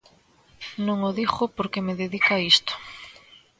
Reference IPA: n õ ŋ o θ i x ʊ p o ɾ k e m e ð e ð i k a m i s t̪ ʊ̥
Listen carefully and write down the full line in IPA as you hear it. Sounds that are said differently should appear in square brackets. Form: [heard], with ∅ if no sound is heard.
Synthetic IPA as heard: n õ ŋ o [ð] i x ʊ p o ɾ k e m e ð e ð i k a [∅] i s t̪ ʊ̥